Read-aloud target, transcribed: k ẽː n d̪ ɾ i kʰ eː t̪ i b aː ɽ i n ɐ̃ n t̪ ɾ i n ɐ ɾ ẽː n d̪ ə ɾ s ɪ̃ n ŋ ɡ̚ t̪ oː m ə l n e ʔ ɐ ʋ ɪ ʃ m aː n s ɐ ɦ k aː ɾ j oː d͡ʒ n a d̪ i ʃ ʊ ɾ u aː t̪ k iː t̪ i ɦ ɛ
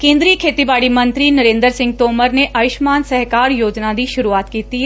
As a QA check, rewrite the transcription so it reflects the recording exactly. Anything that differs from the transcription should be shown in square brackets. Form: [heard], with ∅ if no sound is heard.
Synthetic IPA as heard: k ẽː n d̪ ɾ i kʰ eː t̪ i b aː ɽ i [m] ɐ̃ n t̪ ɾ i n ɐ ɾ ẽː n d̪ ə ɾ s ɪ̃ [∅] ŋ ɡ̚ t̪ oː m ə [ɾ] n e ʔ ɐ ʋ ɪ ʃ m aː n s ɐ ɦ k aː ɾ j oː d͡ʒ n a d̪ i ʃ ʊ ɾ u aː t̪ k iː t̪ i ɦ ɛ